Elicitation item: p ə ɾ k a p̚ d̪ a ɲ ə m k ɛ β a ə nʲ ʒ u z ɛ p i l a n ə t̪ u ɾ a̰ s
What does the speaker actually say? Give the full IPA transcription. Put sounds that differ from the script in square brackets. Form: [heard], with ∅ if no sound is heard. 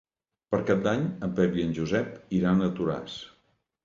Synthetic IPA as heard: p ə ɾ k a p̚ d̪ a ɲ ə m [p] ɛ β [i] ə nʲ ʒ u z ɛ p i [ɾ] a n ə t̪ u ɾ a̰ s